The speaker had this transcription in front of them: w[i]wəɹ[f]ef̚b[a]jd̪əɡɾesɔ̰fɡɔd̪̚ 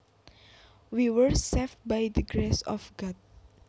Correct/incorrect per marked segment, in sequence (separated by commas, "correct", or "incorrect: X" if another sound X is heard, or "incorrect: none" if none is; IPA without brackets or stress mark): correct, incorrect: s, correct